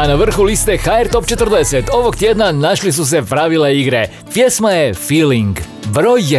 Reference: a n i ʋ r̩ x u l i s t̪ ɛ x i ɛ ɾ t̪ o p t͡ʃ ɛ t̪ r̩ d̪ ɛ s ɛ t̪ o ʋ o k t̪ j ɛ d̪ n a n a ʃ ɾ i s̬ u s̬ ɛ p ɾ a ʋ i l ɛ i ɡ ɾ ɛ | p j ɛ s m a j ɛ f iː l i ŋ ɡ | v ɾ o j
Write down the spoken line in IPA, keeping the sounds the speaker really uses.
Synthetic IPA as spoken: a n a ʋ r̩ x u l i s t̪ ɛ x a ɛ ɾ t̪ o p t͡ʃ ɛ t̪ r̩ d̪ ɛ s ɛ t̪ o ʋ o k t̪ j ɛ d̪ n a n a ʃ l i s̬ u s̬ ɛ p ɾ a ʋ i l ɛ i ɡ ɾ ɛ | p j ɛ s m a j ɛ f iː l i ŋ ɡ | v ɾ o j